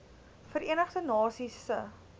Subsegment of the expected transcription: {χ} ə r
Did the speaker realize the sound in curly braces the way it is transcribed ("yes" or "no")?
no